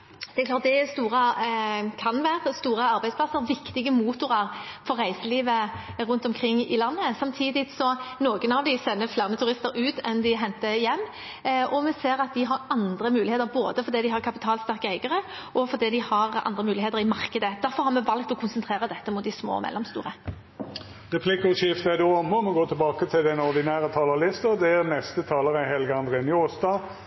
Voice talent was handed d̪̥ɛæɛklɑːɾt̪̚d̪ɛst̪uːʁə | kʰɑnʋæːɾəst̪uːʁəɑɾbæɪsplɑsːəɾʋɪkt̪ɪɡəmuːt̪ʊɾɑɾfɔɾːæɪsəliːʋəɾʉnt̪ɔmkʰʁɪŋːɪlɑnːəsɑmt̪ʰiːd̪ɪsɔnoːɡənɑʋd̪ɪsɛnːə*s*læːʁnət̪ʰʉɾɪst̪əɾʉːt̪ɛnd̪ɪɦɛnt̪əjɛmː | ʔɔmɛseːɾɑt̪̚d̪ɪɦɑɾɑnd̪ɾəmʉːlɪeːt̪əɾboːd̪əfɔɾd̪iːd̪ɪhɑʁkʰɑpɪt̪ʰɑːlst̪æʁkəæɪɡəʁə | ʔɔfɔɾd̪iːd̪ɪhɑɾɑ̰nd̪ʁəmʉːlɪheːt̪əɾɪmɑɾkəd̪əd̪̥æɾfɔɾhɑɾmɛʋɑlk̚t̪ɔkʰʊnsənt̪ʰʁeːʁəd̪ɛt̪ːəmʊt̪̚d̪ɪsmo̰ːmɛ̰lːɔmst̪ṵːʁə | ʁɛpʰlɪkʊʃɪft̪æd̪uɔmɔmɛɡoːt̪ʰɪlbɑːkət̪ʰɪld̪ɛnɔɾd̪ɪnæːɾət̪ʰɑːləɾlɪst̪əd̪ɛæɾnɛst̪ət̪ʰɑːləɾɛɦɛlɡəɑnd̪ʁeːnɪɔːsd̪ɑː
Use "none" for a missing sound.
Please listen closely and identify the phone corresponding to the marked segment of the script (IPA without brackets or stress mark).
f